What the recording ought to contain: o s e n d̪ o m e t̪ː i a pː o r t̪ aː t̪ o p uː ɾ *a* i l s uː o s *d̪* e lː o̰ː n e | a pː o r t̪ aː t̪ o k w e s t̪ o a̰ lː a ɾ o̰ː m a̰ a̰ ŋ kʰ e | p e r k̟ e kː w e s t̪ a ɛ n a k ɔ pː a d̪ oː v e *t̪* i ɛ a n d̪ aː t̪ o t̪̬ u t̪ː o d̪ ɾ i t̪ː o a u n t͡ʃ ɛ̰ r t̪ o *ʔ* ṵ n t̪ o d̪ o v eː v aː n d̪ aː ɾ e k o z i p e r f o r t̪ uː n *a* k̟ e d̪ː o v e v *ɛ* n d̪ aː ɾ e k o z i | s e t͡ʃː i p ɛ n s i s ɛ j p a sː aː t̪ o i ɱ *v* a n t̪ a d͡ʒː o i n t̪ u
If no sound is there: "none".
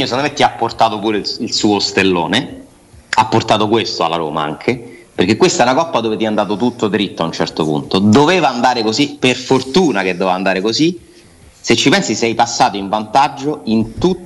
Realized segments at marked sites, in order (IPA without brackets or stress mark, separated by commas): e, t̪, t̪, p, a, a, v